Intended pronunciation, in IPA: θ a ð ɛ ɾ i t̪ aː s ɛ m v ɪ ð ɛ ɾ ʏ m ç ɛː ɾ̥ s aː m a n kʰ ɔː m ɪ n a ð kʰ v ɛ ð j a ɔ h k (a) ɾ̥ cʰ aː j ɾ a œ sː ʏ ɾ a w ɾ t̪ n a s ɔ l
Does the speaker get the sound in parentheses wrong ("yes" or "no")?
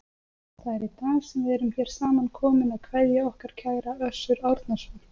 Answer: no